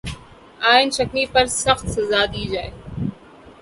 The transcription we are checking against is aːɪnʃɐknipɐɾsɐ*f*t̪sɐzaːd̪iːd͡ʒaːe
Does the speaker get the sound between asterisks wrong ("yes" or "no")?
yes